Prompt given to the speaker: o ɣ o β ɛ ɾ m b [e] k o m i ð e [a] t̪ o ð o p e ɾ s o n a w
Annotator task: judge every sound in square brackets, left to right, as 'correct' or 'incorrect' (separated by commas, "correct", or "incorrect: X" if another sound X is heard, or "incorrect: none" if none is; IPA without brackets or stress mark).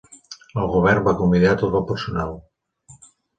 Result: incorrect: a, correct